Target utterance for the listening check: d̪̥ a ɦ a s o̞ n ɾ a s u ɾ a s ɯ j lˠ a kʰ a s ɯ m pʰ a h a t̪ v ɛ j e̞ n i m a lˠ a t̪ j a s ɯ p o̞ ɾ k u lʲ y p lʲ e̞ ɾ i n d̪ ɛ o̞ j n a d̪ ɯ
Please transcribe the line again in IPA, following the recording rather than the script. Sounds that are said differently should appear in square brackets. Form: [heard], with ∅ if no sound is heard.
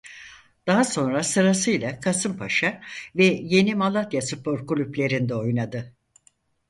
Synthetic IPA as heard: d̪̥ a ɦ a s o̞ n ɾ a s [ɯ] ɾ a s ɯ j lˠ a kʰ a s ɯ m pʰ a [ʃ] a [∅] v ɛ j e̞ n i m a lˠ a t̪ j a s ɯ p o̞ ɾ k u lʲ y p lʲ e̞ ɾ i n d̪ ɛ o̞ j n a d̪ ɯ